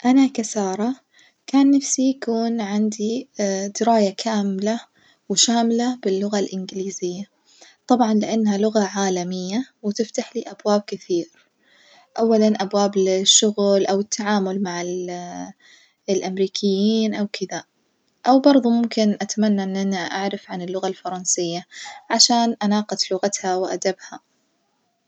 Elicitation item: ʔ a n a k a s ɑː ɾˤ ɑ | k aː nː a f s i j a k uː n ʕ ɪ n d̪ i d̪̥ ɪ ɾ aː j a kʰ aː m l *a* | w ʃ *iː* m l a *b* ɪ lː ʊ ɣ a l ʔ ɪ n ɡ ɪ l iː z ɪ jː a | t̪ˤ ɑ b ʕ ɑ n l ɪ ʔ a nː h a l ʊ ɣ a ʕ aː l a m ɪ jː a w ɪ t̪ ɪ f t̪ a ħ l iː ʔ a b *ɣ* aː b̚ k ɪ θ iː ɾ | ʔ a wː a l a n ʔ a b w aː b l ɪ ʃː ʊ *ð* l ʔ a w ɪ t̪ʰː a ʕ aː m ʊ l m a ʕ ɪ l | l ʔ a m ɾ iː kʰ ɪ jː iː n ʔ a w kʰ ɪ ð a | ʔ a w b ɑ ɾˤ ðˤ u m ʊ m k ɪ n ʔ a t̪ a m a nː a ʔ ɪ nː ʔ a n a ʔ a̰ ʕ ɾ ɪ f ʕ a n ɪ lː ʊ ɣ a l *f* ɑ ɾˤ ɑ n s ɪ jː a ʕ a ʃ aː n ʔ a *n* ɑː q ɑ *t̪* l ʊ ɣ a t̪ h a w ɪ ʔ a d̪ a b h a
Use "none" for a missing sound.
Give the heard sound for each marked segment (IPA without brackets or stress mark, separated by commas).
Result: a, aː, b, w, ɣ, f, n, t̪